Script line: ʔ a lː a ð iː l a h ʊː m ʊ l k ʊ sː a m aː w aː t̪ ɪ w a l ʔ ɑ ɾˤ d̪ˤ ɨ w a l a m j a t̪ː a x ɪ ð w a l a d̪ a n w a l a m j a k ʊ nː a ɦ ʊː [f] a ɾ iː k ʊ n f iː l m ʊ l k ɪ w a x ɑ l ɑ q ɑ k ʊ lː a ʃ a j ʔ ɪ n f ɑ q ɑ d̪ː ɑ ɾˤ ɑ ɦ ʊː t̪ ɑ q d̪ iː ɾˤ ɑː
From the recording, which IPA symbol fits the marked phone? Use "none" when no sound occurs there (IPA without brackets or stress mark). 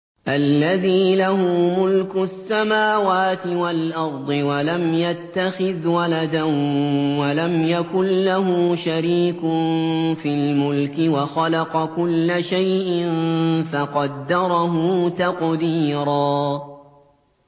ʃ